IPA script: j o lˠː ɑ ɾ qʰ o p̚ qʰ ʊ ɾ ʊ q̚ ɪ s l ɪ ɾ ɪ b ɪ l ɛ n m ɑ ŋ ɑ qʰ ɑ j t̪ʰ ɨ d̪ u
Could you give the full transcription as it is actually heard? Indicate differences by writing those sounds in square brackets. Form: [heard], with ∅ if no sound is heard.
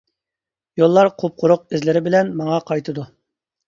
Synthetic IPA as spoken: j o lˠː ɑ ɾ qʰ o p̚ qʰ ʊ ɾ ʊ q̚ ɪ [z] l ɪ ɾ ɪ b ɪ l ɛ n m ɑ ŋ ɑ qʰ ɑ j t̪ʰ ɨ d̪ u